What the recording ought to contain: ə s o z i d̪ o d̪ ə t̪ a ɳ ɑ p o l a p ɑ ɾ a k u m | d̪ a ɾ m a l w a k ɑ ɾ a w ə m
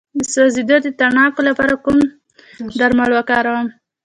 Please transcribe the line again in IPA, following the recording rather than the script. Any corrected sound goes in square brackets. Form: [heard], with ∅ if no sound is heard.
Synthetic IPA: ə s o z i d̪ o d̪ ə t̪ a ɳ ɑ [k] o l a p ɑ ɾ a k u m | d̪ a ɾ m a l w a k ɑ ɾ a w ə m